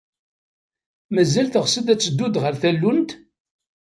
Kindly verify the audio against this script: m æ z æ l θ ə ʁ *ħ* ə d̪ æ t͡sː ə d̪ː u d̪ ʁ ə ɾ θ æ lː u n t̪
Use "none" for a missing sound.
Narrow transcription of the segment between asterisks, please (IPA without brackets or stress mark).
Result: s